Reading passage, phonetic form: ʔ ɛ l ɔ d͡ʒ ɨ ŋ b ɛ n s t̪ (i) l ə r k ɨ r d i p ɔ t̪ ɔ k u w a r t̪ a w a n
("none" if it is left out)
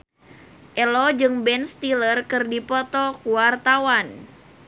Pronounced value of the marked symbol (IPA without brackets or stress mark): i